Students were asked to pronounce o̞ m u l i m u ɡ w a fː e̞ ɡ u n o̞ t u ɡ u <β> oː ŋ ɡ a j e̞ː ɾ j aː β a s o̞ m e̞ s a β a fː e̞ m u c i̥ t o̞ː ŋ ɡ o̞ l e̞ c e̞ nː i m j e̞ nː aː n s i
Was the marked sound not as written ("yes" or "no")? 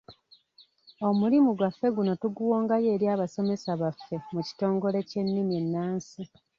yes